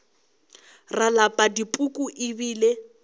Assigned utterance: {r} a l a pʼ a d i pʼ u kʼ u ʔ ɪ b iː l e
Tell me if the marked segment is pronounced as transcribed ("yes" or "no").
yes